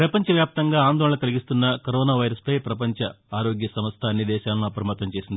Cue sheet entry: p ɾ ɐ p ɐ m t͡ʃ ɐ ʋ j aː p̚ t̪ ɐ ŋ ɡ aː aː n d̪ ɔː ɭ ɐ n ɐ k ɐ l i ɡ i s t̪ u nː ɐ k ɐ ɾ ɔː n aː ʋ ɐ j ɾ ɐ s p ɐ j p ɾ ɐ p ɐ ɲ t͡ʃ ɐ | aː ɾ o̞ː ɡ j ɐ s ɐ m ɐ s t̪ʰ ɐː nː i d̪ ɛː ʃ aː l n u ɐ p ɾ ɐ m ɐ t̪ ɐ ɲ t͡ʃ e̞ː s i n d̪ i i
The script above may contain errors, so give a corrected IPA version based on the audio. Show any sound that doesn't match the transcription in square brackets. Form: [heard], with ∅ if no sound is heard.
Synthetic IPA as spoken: p ɾ ɐ p ɐ [ɲ] t͡ʃ ɐ ʋ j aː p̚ t̪ ɐ ŋ ɡ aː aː n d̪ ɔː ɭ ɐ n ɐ k ɐ l i ɡ i s t̪ u nː ɐ k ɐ ɾ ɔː n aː ʋ ɐ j ɾ ɐ s p ɐ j p ɾ ɐ p ɐ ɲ t͡ʃ ɐ | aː ɾ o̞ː ɡ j ɐ s ɐ m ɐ s t̪ʰ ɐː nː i d̪ ɛː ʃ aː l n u ɐ p ɾ ɐ m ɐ t̪ ɐ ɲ t͡ʃ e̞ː s i n d̪ i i